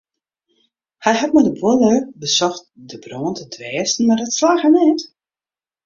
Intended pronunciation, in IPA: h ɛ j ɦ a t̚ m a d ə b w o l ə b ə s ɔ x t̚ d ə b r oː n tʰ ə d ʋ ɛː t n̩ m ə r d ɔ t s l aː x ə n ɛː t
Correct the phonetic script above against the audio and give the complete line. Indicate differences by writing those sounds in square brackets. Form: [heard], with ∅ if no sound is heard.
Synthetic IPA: h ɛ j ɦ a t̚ m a d ə b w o l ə b ə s ɔ x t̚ d ə b r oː n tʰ ə d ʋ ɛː [s] n̩ m [a] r d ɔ t s l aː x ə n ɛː t